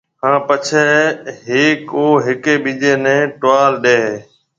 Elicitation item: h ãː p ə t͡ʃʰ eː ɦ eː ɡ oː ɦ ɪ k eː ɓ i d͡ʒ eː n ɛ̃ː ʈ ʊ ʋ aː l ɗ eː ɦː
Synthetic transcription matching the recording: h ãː p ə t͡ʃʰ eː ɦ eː k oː ɦ ɪ k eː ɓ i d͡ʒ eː n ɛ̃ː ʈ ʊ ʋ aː l ɗ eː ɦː